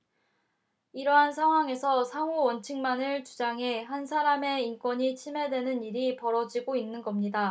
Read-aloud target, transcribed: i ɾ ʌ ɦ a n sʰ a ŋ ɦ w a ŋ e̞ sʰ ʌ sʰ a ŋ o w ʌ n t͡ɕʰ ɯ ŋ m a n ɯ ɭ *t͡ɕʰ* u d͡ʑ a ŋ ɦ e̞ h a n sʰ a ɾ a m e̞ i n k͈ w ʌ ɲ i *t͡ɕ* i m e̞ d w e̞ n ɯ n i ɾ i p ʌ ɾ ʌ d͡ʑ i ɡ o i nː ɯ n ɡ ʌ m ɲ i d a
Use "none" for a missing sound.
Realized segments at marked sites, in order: t͡ɕ, t͡ɕʰ

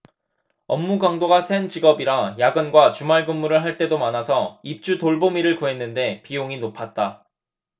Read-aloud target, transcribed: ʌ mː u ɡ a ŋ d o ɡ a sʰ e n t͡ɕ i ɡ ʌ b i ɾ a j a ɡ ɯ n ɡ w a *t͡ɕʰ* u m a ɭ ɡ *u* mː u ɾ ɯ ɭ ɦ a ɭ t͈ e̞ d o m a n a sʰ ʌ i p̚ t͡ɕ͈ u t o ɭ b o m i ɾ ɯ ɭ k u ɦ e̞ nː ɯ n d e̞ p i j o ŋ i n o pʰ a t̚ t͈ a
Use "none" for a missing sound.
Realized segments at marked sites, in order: t͡ɕ, ɯ

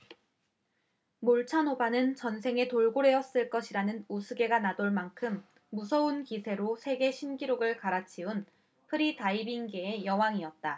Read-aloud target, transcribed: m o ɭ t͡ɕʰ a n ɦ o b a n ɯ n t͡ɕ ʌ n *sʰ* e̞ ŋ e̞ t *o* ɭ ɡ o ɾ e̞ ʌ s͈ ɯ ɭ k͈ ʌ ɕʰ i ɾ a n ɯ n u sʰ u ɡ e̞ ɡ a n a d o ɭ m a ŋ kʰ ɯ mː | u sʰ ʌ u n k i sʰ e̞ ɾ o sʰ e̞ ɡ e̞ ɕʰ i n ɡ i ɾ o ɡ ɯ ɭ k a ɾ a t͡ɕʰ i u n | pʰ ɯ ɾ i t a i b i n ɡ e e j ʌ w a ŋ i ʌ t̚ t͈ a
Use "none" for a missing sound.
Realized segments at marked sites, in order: sʰ, o

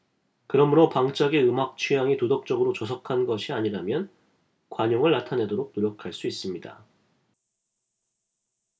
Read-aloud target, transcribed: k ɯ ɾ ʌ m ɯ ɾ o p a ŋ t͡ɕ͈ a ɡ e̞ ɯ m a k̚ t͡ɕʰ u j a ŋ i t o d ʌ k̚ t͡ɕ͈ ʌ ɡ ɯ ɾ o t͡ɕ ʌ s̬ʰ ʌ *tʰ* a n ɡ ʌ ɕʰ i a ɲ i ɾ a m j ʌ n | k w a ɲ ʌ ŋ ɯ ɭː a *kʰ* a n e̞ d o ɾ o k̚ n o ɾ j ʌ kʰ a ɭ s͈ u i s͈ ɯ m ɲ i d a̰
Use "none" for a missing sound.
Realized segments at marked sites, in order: kʰ, tʰ

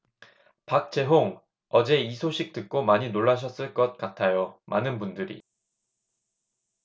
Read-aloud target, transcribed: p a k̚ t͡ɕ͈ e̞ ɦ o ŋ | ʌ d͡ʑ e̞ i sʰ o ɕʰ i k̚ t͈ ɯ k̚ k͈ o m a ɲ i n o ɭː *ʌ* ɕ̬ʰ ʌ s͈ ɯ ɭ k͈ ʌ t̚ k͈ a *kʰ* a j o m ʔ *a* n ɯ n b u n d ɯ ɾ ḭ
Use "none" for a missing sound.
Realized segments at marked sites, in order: a, tʰ, a

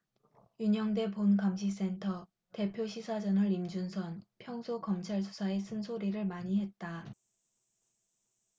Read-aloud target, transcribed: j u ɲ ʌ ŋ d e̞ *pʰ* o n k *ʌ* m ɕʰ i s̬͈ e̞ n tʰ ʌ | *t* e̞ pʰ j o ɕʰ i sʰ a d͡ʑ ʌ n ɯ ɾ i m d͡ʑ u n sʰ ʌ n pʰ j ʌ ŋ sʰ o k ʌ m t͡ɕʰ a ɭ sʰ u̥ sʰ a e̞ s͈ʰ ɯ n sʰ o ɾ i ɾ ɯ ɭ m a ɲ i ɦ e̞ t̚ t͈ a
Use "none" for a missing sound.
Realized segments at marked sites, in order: p, a, t

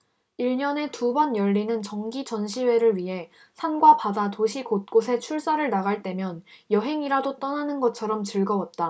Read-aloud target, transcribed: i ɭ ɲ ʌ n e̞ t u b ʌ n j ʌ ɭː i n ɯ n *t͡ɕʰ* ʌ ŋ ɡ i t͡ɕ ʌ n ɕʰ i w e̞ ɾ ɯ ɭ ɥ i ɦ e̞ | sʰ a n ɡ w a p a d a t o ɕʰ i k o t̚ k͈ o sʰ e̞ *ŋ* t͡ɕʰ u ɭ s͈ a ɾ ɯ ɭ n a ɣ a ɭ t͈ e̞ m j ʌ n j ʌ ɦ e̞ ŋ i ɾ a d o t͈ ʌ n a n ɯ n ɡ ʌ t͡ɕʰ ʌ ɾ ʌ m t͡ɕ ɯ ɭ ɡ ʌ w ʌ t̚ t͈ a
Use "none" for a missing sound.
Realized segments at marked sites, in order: t͡ɕ, none

